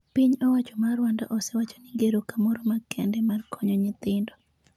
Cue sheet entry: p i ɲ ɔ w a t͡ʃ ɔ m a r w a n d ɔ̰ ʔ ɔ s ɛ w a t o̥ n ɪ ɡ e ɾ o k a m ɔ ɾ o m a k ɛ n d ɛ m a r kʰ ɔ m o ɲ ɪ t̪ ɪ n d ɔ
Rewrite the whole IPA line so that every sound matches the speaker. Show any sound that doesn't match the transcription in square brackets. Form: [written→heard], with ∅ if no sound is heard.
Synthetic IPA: p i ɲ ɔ w a t͡ʃ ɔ m a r w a n d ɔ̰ ʔ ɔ s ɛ w a [t→t͡ʃ] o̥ n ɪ ɡ e ɾ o k a m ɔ ɾ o m a k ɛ n d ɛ m a r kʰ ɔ [m→ɲ] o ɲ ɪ t̪ ɪ n d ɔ